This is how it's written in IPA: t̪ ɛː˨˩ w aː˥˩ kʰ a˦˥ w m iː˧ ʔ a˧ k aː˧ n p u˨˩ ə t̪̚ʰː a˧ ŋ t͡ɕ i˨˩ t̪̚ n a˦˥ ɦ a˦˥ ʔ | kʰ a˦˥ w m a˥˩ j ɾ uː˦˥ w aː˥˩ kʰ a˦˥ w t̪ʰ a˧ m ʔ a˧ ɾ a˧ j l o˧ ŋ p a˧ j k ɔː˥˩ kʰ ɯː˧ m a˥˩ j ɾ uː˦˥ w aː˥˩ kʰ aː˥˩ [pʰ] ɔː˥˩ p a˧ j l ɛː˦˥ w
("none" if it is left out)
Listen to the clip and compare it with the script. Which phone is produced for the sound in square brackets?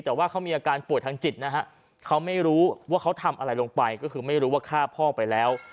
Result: pʰ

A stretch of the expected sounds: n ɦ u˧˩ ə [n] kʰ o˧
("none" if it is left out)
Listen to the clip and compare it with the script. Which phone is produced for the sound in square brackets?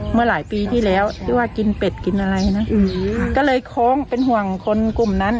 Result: ŋ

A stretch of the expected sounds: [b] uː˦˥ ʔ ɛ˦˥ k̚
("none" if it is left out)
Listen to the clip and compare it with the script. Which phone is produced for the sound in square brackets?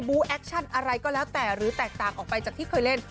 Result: b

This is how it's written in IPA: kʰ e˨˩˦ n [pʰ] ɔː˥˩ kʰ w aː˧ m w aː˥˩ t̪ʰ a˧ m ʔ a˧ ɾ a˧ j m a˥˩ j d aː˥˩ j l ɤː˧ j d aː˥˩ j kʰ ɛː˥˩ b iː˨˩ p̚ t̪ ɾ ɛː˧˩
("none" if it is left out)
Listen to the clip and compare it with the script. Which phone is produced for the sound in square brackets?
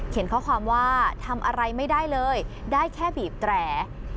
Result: kʰ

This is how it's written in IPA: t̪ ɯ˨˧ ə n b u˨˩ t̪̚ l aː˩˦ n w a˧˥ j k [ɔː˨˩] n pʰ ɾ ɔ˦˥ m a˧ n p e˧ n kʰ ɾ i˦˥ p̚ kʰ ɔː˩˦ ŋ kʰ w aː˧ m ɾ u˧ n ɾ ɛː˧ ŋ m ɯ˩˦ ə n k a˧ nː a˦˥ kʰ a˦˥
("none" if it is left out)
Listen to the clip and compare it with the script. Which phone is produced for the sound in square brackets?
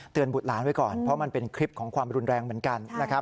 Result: ɔː˨˩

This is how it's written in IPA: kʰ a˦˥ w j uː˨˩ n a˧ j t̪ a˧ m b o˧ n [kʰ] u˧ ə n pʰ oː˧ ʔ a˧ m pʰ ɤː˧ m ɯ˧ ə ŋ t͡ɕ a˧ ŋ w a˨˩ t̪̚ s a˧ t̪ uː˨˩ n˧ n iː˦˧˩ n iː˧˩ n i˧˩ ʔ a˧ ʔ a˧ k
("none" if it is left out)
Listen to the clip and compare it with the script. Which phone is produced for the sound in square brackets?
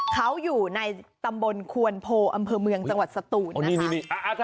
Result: kʰ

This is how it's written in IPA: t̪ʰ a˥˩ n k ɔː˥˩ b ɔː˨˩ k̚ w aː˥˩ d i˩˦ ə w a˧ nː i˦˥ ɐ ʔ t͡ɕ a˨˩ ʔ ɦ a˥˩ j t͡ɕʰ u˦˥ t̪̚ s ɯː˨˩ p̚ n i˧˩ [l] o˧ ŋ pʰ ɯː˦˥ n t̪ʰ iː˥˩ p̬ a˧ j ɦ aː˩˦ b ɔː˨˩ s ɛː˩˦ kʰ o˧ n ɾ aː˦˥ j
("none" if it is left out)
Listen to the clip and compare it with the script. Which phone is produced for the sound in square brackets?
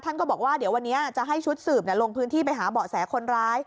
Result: l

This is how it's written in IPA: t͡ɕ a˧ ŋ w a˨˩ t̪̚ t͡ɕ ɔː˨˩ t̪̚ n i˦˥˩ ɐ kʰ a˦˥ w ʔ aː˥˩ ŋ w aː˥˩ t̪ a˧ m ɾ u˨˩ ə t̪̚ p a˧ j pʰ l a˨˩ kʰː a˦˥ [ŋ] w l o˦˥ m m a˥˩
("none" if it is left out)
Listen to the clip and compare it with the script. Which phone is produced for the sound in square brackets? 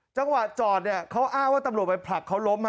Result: none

